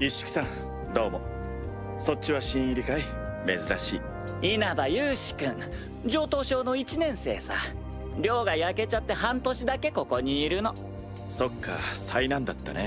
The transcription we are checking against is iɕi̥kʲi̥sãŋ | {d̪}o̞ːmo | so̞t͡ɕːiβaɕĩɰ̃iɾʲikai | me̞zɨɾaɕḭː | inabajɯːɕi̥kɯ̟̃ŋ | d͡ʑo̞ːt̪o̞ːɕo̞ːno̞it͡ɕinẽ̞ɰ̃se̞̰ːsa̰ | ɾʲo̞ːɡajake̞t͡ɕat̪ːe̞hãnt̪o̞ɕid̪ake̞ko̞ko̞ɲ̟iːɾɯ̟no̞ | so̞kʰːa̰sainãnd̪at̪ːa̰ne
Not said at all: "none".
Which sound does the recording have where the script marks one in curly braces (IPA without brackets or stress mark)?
d̪